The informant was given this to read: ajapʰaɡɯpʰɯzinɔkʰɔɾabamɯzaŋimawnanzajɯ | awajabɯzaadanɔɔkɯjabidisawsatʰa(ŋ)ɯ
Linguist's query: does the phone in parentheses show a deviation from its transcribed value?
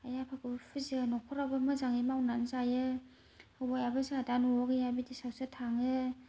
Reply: no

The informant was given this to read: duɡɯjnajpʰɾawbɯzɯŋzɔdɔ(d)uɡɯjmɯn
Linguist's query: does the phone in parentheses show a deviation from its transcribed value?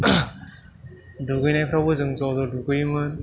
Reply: no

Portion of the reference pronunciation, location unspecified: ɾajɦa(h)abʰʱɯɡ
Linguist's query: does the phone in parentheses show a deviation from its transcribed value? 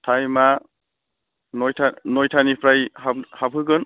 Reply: no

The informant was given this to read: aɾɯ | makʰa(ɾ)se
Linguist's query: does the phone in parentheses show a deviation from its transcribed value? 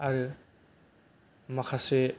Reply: yes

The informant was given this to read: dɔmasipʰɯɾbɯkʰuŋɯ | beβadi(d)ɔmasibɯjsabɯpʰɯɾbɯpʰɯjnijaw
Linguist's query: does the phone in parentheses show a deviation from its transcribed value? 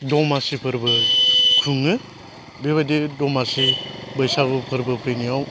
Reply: no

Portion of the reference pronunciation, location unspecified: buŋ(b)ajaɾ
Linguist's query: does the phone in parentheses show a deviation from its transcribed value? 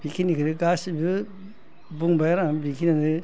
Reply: no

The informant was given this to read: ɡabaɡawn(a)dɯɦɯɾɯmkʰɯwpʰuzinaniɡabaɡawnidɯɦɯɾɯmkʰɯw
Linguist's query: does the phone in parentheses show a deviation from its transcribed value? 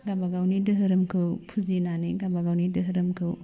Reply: yes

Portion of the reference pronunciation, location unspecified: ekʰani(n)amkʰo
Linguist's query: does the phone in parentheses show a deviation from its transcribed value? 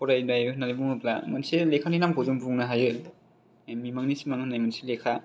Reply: no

